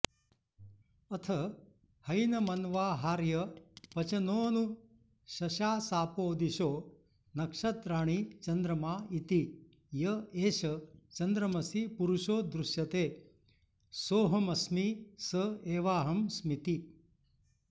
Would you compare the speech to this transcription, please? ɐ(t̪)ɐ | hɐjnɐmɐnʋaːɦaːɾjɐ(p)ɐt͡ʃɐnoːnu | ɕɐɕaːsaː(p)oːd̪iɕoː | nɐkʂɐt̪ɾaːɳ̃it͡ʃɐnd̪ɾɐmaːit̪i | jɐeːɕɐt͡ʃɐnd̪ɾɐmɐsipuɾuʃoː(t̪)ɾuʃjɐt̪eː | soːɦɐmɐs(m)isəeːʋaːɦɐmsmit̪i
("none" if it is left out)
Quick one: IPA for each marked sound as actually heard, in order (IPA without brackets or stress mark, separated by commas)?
t̪ʰ, p, p, d̪, m